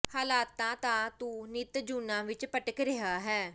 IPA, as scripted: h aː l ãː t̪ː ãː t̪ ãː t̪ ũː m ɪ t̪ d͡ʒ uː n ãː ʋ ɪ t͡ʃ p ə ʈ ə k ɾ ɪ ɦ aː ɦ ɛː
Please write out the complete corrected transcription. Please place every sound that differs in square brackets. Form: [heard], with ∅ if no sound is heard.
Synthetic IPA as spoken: h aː l [aː] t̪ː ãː t̪ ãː t̪ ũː [n] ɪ t̪ d͡ʒ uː n ãː ʋ ɪ t͡ʃ p ə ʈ ə k ɾ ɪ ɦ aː ɦ ɛː